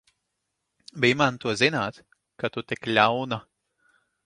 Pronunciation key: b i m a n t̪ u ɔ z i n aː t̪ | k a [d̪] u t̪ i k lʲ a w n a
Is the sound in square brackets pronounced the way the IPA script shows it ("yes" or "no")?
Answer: no